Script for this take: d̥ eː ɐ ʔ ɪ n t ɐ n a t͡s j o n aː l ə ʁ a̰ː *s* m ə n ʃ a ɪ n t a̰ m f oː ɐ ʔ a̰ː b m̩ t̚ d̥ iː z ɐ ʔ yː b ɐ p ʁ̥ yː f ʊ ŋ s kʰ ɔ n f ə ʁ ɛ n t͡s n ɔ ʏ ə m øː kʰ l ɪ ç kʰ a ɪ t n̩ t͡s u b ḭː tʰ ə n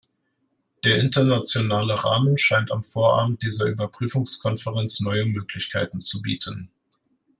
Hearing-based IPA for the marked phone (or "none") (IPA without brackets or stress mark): none